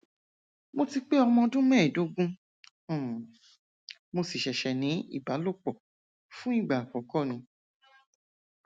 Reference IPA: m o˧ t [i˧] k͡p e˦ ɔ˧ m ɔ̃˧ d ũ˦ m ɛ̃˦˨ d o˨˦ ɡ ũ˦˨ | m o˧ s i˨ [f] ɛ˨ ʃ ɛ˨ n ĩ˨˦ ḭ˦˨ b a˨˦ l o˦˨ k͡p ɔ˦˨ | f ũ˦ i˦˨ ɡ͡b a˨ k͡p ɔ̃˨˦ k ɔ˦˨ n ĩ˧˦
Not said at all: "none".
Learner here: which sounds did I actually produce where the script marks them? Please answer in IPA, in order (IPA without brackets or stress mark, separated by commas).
i˧, ʃ